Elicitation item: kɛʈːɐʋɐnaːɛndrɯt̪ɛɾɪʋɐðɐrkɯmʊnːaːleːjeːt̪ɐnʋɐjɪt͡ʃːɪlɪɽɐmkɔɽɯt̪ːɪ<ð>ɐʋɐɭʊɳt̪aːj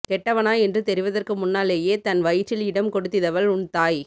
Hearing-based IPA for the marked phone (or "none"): ð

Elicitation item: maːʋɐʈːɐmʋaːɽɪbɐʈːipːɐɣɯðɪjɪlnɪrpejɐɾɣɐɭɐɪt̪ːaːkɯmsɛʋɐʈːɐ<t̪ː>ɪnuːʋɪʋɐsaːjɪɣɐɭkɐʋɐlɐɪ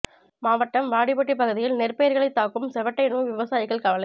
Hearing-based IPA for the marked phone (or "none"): none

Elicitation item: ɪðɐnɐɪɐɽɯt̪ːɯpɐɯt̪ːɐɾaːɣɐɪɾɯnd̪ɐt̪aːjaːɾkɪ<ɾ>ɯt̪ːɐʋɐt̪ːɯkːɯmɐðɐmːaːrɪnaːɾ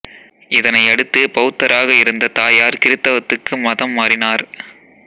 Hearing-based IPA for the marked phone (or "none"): ɾ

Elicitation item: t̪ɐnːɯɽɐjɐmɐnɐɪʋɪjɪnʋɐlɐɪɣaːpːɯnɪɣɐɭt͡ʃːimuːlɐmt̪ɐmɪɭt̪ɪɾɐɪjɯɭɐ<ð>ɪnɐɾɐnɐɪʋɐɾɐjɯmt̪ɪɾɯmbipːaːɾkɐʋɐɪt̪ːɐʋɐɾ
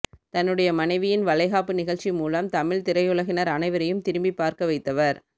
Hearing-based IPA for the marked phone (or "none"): ɣ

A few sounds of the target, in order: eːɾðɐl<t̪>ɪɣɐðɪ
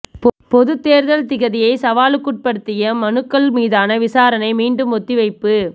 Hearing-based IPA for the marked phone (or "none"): t̪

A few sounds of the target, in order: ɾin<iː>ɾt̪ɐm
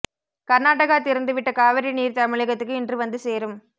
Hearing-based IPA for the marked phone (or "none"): iː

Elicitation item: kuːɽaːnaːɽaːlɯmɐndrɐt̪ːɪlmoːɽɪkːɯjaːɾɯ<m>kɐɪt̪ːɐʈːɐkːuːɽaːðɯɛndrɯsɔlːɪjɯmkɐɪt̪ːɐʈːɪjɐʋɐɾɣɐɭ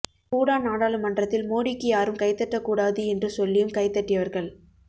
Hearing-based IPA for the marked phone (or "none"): m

